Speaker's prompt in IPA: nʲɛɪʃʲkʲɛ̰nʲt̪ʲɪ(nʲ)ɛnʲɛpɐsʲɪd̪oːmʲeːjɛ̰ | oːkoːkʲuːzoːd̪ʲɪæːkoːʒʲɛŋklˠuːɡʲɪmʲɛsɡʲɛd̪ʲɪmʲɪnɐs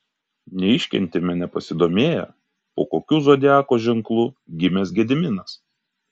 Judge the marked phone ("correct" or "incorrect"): incorrect